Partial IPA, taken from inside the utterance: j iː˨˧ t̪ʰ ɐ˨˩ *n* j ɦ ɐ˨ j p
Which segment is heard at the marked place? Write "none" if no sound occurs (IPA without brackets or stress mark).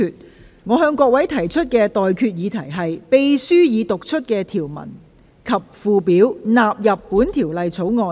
none